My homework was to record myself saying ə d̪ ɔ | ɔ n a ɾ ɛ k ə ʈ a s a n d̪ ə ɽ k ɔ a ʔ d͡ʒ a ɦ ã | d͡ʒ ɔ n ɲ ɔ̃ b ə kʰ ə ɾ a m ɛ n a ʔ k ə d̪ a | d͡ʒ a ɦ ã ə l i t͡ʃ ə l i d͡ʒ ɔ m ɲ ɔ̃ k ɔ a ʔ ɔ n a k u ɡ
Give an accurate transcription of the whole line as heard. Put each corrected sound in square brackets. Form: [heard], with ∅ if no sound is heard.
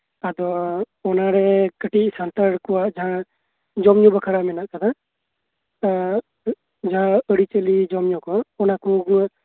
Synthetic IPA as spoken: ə d̪ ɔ | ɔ n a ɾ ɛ k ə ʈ [i] s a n [t̪] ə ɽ k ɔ a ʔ d͡ʒ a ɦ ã | d͡ʒ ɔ [m] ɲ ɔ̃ b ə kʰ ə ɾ a m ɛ n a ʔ k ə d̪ a | d͡ʒ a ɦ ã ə [ɽ] i t͡ʃ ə l i d͡ʒ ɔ m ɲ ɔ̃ k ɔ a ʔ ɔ n a k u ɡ

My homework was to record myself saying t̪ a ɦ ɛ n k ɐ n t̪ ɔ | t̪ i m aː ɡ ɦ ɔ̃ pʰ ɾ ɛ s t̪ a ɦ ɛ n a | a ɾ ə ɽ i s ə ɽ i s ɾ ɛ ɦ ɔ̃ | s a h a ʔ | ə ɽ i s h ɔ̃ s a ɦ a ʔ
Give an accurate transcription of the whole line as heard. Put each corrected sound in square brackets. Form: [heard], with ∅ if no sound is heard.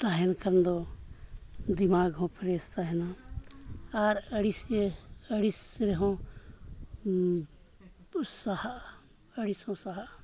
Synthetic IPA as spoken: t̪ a ɦ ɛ n k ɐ n [d̪] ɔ | [d̪] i m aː ɡ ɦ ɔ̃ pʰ ɾ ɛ s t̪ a ɦ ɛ n a | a ɾ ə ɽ i s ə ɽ i s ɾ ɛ ɦ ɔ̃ | s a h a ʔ | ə ɽ i s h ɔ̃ s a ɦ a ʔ

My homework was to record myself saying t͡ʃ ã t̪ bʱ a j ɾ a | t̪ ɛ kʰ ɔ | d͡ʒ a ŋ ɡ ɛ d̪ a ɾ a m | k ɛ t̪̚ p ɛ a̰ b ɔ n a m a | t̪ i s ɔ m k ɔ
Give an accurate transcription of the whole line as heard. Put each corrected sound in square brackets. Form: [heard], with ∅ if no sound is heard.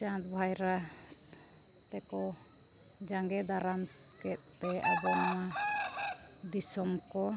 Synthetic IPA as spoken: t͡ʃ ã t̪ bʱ a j ɾ a | t̪ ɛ [k] ɔ | d͡ʒ a ŋ ɡ ɛ d̪ a ɾ a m | k ɛ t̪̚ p ɛ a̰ b ɔ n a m a | [d̪] i s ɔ m k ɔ

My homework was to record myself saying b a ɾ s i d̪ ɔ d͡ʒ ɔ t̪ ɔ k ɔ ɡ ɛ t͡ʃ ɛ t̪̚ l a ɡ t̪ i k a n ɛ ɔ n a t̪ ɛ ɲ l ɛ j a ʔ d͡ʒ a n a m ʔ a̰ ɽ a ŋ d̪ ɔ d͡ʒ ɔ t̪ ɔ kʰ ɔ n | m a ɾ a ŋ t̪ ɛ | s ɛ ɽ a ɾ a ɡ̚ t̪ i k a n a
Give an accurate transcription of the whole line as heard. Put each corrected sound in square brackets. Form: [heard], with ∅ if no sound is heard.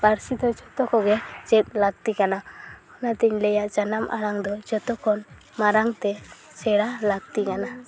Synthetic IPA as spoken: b a ɾ s i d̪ ɔ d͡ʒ ɔ t̪ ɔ k ɔ ɡ ɛ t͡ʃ ɛ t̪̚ l a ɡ t̪ i k a n [a] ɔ n a t̪ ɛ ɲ l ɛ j a ʔ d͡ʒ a n a m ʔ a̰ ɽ a ŋ d̪ ɔ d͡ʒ ɔ t̪ ɔ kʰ ɔ n | m a ɾ a ŋ t̪ ɛ | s ɛ ɽ a [l] a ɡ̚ t̪ i k a n a

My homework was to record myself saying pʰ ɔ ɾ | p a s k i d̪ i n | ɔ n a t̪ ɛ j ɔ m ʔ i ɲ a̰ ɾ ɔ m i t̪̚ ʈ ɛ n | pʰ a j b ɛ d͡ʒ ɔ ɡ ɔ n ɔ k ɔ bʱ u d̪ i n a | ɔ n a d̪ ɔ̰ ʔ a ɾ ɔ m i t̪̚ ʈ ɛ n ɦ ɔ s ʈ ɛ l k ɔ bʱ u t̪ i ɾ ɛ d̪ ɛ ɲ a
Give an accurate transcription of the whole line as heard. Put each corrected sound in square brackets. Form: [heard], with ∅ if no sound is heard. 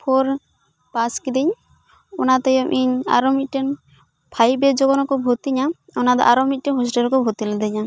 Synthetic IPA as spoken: pʰ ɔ ɾ | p a s k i d̪ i [ɲ] | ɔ n a t̪ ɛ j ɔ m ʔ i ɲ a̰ ɾ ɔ m i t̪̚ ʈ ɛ n | pʰ a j b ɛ d͡ʒ ɔ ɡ ɔ n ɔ k ɔ bʱ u [t̪] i [ɲ] a | ɔ n a d̪ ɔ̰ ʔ a ɾ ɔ m i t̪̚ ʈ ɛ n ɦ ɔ s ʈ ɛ l k ɔ bʱ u t̪ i [l] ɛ d̪ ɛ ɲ a

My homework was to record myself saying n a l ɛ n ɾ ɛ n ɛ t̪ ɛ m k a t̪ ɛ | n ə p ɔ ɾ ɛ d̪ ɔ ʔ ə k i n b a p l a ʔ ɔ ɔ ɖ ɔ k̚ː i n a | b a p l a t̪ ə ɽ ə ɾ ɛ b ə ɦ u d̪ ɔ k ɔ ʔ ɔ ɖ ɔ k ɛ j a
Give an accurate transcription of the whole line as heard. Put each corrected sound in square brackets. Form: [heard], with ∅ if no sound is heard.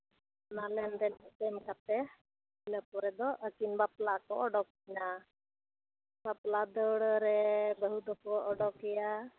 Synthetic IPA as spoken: n a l ɛ n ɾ ɛ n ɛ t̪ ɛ m k a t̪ ɛ | n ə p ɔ ɾ ɛ d̪ ɔ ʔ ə k i n b a p l a [k] ɔ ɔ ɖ ɔ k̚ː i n a | b a p l a [d̪] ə ɽ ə ɾ ɛ b ə ɦ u d̪ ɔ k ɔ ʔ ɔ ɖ ɔ k ɛ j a

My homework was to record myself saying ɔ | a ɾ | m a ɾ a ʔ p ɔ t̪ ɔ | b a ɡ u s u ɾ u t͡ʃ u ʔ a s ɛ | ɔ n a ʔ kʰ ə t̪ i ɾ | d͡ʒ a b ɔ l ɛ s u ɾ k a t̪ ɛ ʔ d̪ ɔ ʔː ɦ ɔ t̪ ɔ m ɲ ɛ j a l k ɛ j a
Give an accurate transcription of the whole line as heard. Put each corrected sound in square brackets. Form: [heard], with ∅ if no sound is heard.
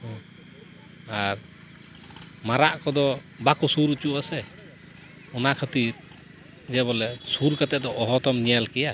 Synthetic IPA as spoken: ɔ | a ɾ | m a ɾ a ʔ [k] ɔ [d̪] ɔ | b a [k] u s u ɾ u t͡ʃ u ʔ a s ɛ | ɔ n a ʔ kʰ ə t̪ i ɾ | d͡ʒ [ɛ] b ɔ l ɛ s u ɾ k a t̪ ɛ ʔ d̪ ɔ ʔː ɦ ɔ t̪ ɔ m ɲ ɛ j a l k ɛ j a

